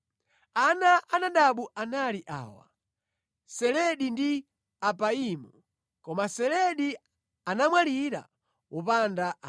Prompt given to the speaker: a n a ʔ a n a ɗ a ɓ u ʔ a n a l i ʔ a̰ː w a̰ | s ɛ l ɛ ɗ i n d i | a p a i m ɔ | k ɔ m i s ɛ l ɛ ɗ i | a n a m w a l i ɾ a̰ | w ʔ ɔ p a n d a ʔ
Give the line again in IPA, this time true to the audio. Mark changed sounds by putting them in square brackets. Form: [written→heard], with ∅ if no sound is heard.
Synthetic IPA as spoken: a n a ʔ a n a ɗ a ɓ u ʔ a n a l i ʔ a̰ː w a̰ | s ɛ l ɛ ɗ i n d i | a p a i m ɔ | k ɔ m [i→a] s ɛ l ɛ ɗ i | a n a m w a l i ɾ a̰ | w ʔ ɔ p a n d a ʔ